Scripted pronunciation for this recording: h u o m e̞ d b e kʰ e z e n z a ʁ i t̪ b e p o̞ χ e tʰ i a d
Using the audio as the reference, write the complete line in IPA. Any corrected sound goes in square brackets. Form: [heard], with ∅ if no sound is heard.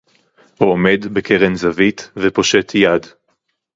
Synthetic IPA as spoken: h u o m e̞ d b e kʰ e [ʁ] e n z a [v] i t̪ [v] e p o̞ [ʃ] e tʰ [j] a d